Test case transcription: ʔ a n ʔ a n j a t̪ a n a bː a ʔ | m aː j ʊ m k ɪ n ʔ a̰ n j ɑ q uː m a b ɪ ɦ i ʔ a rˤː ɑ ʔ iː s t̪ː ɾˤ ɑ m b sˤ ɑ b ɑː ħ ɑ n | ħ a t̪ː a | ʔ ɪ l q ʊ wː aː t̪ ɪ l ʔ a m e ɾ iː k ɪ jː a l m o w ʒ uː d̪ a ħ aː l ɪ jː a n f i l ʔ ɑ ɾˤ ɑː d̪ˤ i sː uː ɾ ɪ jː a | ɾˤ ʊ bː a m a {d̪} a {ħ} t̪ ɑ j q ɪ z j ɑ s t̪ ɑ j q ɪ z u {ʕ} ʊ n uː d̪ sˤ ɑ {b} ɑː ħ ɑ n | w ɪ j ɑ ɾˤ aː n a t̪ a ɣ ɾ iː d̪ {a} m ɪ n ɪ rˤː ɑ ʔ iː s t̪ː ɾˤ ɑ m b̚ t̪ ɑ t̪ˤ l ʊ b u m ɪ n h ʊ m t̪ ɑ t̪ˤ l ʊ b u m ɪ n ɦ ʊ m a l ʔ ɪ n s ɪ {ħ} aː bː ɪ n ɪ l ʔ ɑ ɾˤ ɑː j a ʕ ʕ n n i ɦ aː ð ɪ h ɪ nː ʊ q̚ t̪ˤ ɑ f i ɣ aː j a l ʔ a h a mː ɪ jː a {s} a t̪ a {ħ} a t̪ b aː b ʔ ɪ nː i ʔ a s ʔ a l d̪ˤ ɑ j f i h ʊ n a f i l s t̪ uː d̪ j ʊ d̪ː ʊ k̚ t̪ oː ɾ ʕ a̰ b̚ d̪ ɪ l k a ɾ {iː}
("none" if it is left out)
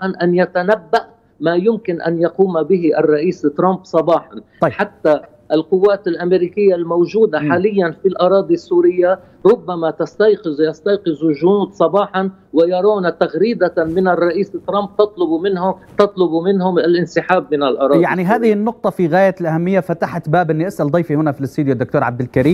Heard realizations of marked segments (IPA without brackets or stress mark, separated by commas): t̪, s, ʒ, b, a, ħ, f, ħ, iː